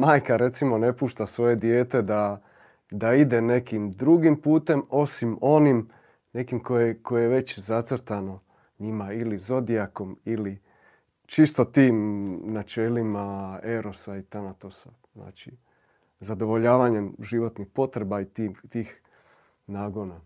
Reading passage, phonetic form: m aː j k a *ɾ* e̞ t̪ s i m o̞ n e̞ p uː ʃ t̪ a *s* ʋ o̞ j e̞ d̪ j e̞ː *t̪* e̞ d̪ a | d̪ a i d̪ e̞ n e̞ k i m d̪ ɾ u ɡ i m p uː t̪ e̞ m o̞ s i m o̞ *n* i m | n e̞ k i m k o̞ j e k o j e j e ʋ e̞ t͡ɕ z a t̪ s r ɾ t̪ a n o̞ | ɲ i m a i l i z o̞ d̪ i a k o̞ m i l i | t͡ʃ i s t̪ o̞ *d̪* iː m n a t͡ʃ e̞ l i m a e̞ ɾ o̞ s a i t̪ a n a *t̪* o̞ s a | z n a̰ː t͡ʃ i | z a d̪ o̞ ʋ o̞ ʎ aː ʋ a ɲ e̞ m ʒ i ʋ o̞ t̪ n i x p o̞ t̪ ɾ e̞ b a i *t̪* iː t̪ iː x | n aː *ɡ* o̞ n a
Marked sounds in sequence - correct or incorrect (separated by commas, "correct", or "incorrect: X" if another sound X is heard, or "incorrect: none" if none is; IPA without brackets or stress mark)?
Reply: correct, correct, correct, correct, incorrect: t̪, correct, correct, correct